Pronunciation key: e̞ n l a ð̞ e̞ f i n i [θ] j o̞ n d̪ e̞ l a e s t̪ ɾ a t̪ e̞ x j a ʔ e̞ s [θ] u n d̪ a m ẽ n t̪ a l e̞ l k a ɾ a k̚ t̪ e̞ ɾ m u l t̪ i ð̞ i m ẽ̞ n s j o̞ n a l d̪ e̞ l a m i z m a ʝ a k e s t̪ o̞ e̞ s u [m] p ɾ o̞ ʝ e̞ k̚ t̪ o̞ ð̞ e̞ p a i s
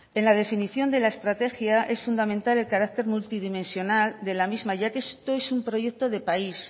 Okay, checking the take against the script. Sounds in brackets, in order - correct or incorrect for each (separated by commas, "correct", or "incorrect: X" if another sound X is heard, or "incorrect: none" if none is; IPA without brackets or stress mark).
correct, incorrect: f, correct